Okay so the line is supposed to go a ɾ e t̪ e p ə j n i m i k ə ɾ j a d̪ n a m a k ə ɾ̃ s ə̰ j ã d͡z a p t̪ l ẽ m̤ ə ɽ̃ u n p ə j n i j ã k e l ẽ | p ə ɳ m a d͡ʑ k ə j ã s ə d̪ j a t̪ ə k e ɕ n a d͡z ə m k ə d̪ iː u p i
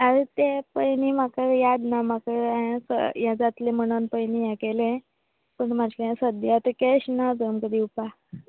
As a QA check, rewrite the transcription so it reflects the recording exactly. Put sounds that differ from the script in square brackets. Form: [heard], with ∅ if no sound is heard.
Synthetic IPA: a ɾ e t̪ e p ə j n i m [a] k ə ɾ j a d̪ n a m a k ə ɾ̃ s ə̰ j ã d͡z a [∅] t̪ l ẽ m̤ ə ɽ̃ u n p ə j n i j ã k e l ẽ | p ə ɳ m a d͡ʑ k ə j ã s ə d̪ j a t̪ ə k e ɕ n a d͡z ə m k ə d̪ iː u p [a]